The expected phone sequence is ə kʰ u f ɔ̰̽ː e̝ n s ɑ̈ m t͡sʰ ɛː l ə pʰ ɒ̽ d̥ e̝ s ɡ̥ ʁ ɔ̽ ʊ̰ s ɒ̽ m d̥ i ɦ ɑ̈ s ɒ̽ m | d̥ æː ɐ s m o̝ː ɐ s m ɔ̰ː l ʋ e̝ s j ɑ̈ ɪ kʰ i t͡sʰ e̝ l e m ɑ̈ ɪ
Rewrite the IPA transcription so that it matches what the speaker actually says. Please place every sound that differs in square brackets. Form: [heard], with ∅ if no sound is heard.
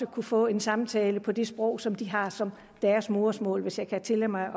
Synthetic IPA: ə kʰ u f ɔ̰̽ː e̝ n s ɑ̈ m t͡sʰ ɛː l ə pʰ ɒ̽ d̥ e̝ s [b̥] ʁ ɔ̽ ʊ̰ s ɒ̽ m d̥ i ɦ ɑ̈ s ɒ̽ m | d̥ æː ɐ s m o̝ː ɐ s m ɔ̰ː l ʋ e̝ s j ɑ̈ ɪ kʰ [æ] t͡sʰ e̝ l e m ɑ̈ ɪ